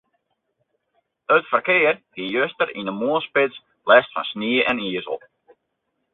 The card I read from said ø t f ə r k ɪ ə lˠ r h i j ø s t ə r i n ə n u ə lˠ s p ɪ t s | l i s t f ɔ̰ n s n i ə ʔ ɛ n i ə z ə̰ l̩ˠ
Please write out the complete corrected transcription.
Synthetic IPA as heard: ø t f ə r k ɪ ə r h i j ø s t ə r i n ə m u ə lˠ s p ɪ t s | l ɛ s t f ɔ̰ n s n i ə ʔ ɛ n i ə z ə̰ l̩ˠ